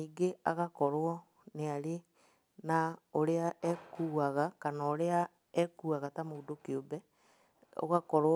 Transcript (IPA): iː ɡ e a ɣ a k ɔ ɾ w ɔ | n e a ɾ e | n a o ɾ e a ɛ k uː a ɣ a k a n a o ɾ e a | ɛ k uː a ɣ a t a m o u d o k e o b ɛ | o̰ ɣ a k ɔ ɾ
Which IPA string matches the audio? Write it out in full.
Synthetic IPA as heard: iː ɡ e a ɣ a k ɔ ɾ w ɔ | n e a ɾ e | n a o ɾ e a ɛ k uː a ɣ a k a n a o ɾ e a | ɛ k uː a ɣ a t a m o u d o k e o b ɛ | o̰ ɣ a k ɔ ɾ